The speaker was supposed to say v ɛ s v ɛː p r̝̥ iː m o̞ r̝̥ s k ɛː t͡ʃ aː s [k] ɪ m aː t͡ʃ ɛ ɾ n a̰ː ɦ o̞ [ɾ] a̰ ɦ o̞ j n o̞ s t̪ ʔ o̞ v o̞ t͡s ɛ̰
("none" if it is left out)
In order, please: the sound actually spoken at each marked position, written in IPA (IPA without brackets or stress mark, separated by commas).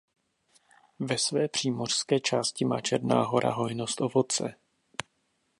c, ɾ